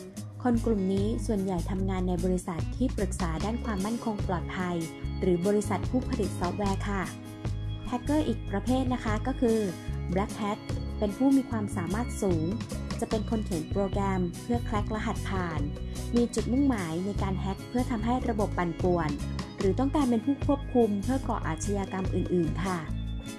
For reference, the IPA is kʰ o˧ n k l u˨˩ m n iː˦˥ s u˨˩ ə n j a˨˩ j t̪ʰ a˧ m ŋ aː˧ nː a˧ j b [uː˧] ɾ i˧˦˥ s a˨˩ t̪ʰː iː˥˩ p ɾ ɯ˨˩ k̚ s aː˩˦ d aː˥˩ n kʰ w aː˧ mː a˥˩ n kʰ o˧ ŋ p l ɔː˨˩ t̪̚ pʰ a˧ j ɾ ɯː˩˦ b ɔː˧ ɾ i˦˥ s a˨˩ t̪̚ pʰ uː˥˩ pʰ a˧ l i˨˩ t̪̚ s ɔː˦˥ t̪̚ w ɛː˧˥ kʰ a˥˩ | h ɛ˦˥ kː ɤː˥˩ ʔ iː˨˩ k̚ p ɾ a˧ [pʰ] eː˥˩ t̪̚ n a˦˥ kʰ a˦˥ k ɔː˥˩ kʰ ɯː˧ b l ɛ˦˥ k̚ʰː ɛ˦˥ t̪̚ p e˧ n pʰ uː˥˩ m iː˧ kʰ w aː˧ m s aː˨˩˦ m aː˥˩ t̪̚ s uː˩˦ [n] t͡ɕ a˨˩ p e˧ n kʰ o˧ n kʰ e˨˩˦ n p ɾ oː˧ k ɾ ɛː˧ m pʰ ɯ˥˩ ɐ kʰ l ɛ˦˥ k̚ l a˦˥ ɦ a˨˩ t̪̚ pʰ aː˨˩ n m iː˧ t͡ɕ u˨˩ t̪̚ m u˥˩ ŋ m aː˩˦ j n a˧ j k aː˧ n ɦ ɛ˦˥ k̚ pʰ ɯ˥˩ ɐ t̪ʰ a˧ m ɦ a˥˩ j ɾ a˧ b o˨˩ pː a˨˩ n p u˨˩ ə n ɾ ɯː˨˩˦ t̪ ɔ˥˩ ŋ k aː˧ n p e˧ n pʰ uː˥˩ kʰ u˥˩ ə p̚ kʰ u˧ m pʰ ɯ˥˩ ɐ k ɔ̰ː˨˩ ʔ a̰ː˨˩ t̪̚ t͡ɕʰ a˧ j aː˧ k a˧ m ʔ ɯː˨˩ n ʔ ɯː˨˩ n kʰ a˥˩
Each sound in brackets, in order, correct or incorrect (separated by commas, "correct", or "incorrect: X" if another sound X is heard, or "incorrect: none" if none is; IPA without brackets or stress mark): incorrect: ɔː˧, correct, incorrect: ŋ